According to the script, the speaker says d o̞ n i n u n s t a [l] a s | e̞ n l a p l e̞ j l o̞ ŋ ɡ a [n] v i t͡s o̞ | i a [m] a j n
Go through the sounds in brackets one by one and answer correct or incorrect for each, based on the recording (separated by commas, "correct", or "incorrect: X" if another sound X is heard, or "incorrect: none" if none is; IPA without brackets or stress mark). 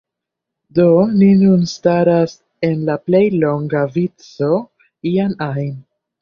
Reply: incorrect: ɾ, incorrect: none, incorrect: n